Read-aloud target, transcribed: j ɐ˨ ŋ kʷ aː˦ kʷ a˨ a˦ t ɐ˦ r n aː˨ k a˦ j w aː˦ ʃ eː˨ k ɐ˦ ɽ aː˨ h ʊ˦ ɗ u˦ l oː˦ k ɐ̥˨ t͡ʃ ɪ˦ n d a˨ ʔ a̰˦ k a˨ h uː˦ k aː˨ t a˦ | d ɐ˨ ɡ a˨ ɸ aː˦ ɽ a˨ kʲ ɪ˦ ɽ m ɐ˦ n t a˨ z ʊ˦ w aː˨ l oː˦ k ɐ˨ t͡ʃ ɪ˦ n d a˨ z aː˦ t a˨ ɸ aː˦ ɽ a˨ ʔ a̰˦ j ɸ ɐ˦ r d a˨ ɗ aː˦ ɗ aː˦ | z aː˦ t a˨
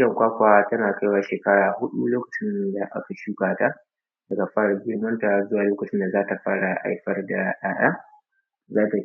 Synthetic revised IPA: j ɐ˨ ŋ kʷ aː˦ kʷ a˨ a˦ t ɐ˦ n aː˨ k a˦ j w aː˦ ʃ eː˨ k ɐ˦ ɽ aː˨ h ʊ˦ ɗ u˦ l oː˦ k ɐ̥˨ t͡ʃ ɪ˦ n d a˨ ʔ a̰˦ k a˨ ʃ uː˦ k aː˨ t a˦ | d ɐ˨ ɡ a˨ ɸ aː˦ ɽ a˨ ɡʲ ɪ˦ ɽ m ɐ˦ n t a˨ z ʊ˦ w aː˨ l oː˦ k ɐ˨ t͡ʃ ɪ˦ n d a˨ z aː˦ t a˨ ɸ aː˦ ɽ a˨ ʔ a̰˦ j ɸ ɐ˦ r d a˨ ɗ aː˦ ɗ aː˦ | z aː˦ t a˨